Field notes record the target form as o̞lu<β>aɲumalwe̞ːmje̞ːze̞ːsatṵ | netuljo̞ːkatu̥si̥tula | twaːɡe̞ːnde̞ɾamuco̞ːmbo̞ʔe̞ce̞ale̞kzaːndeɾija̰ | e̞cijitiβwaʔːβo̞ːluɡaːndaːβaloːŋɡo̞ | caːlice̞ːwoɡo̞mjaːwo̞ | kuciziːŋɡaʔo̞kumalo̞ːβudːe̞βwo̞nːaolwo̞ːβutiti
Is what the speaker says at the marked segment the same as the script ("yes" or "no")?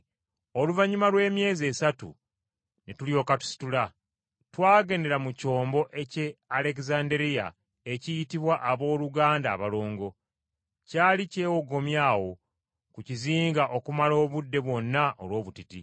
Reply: no